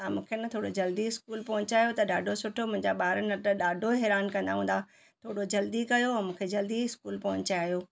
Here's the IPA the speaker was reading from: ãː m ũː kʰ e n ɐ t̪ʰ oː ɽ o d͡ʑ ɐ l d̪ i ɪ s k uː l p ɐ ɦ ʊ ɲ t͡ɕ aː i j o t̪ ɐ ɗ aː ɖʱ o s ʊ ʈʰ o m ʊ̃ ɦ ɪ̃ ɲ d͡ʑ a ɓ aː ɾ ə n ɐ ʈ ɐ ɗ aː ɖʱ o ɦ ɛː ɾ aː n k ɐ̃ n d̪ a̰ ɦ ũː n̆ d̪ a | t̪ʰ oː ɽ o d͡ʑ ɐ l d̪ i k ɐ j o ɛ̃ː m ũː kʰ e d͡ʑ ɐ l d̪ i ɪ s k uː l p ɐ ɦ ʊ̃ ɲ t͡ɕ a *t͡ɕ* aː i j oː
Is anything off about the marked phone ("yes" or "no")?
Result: yes